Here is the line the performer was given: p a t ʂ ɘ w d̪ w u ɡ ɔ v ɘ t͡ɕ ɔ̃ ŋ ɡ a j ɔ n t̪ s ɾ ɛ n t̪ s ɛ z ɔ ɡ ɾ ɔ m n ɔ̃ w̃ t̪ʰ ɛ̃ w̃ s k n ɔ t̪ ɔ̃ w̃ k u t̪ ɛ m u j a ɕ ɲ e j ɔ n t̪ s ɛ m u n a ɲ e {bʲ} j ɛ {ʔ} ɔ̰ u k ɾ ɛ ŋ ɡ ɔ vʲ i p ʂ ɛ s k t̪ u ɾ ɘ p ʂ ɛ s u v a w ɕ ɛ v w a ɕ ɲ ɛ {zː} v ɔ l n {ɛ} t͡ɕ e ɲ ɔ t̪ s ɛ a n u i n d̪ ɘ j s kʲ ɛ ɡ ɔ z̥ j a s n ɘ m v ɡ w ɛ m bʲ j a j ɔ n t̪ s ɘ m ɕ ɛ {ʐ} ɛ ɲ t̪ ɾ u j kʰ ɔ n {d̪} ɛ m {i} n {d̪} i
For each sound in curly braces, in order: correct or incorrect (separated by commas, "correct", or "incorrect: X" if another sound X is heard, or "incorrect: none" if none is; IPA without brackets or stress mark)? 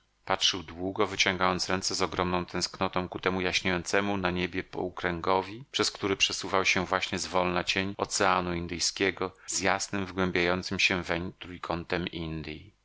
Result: correct, incorrect: p, incorrect: z, incorrect: a, incorrect: v, incorrect: t̪, correct, correct